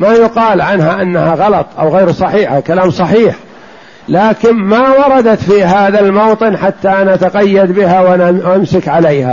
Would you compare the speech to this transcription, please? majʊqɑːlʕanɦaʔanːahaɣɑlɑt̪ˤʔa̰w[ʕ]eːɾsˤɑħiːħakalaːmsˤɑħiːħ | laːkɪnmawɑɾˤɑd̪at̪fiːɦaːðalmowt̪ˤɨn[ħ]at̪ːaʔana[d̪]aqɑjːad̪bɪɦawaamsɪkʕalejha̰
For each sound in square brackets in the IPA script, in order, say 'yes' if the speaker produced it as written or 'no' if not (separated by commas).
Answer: no, yes, no